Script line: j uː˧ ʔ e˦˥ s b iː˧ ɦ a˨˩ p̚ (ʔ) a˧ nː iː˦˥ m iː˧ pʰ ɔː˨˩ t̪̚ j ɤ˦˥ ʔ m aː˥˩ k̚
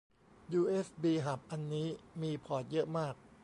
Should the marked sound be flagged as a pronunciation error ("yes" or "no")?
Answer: no